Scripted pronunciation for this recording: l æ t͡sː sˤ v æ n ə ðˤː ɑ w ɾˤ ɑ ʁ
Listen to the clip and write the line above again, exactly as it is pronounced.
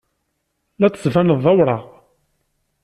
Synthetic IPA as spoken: l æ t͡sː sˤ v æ n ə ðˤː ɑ w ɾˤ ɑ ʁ